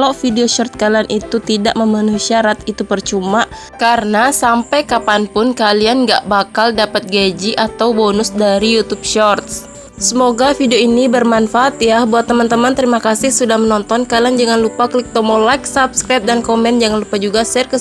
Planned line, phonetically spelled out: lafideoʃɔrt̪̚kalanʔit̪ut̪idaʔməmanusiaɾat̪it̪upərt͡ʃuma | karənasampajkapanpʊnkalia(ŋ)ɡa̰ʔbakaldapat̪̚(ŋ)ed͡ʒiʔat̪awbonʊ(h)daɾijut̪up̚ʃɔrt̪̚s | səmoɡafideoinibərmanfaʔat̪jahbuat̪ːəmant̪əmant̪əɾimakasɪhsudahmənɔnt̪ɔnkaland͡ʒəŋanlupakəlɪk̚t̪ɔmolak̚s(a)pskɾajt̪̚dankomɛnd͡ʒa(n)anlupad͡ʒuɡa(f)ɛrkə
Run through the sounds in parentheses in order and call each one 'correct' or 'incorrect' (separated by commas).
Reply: incorrect, incorrect, incorrect, correct, incorrect, incorrect